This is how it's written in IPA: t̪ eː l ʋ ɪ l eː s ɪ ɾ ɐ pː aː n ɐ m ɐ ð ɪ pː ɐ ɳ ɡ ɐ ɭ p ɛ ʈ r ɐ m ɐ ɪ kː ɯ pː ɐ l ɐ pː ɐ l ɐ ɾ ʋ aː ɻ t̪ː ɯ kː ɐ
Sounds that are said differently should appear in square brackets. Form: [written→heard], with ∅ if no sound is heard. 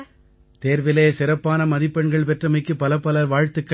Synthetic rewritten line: t̪ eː [l→ɾ] ʋ ɪ l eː s ɪ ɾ ɐ pː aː n ɐ m ɐ ð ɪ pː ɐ ɳ ɡ ɐ ɭ p ɛ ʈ r ɐ m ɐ ɪ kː ɯ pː ɐ l ɐ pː ɐ l ɐ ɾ ʋ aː ɻ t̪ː ɯ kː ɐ